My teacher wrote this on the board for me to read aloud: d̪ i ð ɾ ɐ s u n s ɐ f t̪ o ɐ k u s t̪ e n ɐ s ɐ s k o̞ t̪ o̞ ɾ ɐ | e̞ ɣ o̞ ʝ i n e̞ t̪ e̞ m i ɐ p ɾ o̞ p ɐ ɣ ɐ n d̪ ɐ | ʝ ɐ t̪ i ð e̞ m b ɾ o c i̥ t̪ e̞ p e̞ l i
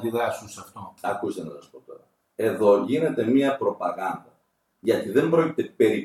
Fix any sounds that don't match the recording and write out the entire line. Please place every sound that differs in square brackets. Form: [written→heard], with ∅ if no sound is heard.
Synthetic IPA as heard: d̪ i ð ɾ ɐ s u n s ɐ f t̪ o ɐ k u s t̪ e n ɐ s ɐ s [k→p] o̞ t̪ o̞ ɾ ɐ | e̞ [ɣ→ð] o̞ ʝ i n e̞ t̪ e̞ m i ɐ p ɾ o̞ p ɐ ɣ ɐ n d̪ ɐ | ʝ ɐ t̪ i ð e̞ m b ɾ o c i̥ t̪ e̞ p e̞ [l→ɾ] i